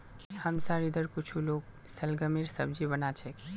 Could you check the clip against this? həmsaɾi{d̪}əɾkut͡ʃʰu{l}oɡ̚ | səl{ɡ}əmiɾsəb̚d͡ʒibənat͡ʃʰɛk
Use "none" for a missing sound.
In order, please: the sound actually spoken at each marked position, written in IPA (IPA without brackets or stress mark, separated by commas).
d̪, l, ɡ